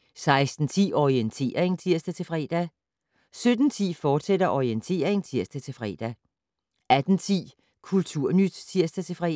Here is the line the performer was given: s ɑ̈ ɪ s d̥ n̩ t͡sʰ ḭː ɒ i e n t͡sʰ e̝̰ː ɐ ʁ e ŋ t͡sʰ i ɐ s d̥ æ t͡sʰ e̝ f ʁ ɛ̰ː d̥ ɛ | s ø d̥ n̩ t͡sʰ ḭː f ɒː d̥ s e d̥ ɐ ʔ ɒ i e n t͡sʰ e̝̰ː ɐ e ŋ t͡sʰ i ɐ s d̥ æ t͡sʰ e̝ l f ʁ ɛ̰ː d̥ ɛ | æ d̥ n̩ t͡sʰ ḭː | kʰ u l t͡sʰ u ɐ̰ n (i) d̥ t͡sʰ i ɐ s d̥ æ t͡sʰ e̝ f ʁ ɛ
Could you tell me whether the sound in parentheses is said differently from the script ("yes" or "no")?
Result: yes